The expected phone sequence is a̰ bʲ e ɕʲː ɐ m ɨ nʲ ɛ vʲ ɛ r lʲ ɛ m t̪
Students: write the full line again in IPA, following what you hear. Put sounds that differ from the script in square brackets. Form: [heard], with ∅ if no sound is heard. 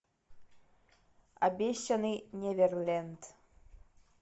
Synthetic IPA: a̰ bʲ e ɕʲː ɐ [n] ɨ nʲ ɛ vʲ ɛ r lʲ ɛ [n] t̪